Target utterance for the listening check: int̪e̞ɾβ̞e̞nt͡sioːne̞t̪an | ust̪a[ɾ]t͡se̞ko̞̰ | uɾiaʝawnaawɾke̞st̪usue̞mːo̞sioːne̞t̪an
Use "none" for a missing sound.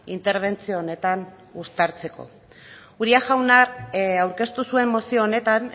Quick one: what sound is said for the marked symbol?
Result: ɾ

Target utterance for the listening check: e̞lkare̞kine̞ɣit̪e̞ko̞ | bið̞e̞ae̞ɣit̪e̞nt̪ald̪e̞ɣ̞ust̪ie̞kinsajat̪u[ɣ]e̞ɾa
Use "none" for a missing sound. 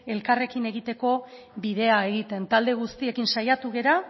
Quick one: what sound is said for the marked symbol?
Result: ɣ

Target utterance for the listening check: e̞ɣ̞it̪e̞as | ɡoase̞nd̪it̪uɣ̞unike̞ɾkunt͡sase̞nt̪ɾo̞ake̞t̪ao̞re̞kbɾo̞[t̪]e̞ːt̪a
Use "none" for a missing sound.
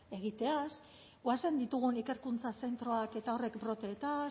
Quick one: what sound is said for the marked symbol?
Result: t̪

